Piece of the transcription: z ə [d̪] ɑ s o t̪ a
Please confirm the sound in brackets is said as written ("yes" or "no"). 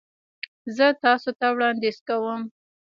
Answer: no